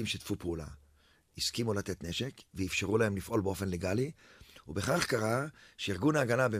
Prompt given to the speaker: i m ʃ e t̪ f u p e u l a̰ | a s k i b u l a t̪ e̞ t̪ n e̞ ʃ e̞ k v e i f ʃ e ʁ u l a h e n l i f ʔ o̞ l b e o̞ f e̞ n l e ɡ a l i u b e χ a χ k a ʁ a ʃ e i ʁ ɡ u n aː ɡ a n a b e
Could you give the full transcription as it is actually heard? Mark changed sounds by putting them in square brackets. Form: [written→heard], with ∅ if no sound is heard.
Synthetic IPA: i m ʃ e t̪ f u p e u l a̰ | [a→i] s k i [b→m] u l a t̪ e̞ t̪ n e̞ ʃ e̞ k v e i f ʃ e ʁ u l a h e [n→m] l i f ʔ o̞ l b e o̞ f e̞ n l e ɡ a l i u b e χ a χ k a ʁ a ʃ e i ʁ ɡ u n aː ɡ a n a b e